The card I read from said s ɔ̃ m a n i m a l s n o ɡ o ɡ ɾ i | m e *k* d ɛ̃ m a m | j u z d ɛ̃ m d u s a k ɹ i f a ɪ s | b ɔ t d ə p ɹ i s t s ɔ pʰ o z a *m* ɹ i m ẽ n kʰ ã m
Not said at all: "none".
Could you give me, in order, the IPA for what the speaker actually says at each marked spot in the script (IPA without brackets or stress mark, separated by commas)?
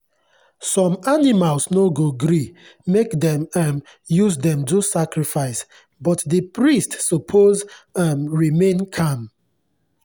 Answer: k, m